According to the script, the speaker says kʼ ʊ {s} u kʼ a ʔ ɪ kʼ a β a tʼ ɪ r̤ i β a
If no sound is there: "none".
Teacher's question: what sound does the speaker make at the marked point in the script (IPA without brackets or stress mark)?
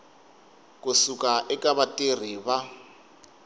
s